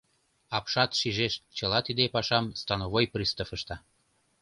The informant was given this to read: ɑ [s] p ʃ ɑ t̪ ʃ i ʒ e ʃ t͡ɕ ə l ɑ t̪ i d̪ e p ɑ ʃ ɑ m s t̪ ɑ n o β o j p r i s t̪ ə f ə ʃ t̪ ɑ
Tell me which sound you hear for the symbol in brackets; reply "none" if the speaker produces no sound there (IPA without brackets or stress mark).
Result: none